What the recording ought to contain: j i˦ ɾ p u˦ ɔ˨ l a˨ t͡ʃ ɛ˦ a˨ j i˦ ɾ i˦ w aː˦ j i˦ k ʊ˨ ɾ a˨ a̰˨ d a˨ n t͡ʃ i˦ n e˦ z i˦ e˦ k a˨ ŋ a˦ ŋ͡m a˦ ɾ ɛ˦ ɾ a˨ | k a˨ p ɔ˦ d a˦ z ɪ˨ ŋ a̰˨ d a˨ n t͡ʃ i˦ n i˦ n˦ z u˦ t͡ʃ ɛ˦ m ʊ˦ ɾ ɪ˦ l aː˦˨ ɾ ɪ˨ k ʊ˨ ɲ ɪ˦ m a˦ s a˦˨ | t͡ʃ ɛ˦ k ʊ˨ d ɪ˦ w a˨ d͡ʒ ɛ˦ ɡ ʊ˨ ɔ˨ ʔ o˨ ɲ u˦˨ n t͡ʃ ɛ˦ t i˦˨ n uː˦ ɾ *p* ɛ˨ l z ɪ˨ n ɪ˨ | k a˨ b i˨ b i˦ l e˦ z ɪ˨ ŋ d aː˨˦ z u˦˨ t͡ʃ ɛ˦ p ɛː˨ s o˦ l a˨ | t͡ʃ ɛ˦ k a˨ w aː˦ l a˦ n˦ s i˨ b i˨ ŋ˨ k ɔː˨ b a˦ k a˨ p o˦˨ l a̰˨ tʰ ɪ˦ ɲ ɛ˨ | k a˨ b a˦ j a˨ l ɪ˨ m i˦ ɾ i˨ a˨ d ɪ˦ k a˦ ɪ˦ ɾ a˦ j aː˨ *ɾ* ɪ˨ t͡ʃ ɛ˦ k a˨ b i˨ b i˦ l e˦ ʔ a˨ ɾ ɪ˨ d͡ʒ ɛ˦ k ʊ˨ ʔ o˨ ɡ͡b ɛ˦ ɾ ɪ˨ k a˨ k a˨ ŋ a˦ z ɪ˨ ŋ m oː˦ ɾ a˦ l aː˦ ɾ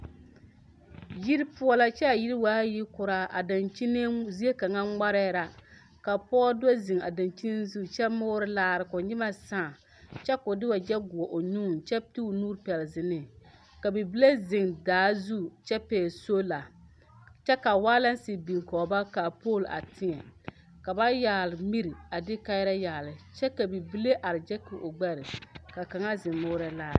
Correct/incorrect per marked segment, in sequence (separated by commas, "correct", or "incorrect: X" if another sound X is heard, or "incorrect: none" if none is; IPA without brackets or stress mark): correct, incorrect: l